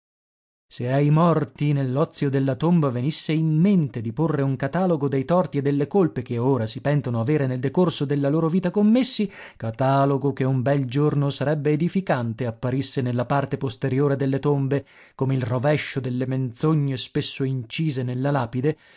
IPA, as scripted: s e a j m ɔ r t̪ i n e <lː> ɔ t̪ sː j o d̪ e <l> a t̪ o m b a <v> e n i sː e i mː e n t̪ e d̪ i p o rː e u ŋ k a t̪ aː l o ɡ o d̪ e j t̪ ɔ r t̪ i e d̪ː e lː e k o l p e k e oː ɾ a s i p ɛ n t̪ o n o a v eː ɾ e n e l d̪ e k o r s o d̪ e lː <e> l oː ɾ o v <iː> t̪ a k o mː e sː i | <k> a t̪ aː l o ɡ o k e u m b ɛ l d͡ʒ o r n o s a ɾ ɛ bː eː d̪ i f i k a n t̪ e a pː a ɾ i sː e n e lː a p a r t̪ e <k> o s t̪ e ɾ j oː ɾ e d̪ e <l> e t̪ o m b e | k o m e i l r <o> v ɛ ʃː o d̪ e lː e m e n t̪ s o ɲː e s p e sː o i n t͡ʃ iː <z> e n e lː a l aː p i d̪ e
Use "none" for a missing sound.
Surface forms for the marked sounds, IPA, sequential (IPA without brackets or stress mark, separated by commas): lː, lː, v, a, iː, k, p, lː, o, z